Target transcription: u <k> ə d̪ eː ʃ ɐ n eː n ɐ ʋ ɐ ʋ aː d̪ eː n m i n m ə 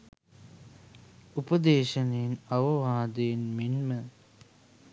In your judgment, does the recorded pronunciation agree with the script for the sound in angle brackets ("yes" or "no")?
no